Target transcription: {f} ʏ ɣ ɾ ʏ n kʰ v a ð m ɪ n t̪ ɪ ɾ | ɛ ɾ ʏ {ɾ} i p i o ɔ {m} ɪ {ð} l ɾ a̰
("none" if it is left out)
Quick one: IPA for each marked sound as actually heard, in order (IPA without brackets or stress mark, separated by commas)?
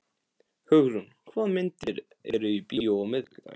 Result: h, none, m, ð